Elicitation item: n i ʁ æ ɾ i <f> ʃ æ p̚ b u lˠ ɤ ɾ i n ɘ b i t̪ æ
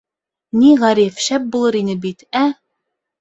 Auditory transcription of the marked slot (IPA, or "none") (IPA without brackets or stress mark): f